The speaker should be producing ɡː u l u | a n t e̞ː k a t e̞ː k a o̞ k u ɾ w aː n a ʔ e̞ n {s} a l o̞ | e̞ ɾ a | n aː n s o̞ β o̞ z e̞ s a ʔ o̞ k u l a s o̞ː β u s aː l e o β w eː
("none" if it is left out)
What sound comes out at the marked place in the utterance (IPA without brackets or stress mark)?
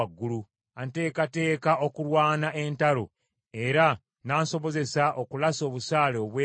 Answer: t